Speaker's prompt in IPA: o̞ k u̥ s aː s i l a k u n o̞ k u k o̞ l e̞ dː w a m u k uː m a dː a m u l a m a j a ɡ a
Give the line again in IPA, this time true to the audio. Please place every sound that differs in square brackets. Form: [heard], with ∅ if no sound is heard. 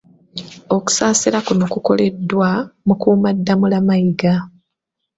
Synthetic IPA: o̞ k u̥ s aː s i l a k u n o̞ k u k o̞ l e̞ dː w a m u k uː m a dː a m u l a m a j [i] ɡ a